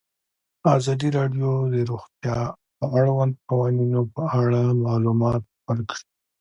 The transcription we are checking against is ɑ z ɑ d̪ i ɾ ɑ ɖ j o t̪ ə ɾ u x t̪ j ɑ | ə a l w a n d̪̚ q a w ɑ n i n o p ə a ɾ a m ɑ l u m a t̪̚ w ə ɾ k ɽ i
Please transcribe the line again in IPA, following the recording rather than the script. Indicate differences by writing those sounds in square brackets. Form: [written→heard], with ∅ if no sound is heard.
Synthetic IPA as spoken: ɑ z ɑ d̪ i ɾ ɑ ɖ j o [t̪→d̪] ə ɾ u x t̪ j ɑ | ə a [l→ɽ] w a n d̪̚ q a w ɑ n i n o p ə a [ɾ→ɽ] a m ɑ l u m [a→ɑ] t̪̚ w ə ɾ k ɽ i